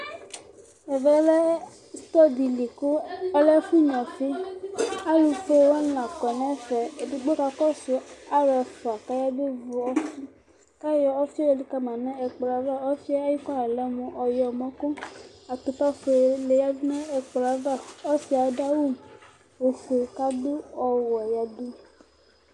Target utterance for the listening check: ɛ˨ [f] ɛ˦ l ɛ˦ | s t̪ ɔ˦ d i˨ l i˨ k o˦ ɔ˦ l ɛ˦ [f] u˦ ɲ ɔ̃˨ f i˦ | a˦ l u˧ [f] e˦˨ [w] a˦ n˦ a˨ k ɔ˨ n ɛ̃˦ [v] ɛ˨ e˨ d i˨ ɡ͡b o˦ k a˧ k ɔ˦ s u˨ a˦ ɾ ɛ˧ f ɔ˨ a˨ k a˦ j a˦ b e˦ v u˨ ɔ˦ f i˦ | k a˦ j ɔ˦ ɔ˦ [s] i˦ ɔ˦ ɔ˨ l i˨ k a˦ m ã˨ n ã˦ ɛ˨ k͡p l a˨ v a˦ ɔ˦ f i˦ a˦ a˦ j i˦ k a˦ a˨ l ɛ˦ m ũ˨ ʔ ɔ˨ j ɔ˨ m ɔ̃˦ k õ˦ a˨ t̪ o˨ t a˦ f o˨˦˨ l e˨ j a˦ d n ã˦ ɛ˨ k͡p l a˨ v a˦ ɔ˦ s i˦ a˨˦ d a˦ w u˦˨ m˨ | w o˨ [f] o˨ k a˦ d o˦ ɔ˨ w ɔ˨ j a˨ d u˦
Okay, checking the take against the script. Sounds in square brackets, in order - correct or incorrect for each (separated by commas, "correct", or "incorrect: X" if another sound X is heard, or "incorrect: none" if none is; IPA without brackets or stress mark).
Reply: incorrect: v, correct, correct, correct, incorrect: f, incorrect: f, correct